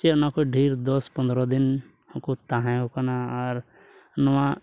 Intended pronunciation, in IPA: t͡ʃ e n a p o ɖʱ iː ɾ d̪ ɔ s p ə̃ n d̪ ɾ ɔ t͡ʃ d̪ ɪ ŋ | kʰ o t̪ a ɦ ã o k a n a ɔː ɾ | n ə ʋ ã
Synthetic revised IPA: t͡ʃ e n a k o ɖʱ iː ɾ d̪ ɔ s p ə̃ n d̪ ɾ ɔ d̪ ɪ n | k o t̪ a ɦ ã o k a n a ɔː ɾ | n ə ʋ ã